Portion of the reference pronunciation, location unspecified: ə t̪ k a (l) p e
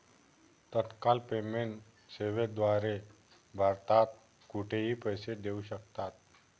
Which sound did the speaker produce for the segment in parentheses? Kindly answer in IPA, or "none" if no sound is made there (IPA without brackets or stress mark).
l